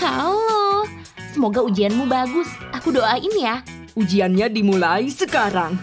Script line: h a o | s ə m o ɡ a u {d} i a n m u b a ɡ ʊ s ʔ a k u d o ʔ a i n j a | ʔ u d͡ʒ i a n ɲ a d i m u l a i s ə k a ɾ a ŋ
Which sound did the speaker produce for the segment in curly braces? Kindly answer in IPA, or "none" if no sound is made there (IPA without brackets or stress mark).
d͡ʒ